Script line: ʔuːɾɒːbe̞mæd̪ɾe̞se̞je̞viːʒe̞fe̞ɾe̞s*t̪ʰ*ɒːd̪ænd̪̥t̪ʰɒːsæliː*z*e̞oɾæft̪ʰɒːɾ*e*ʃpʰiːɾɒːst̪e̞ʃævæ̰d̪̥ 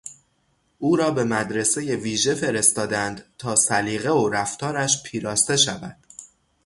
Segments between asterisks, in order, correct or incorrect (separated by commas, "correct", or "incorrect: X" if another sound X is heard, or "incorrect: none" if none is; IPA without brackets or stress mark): incorrect: t̪, incorrect: ɣ, incorrect: æ